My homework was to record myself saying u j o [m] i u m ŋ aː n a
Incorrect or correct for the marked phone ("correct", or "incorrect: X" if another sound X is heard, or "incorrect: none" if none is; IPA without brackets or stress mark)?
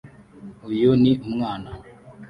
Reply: incorrect: n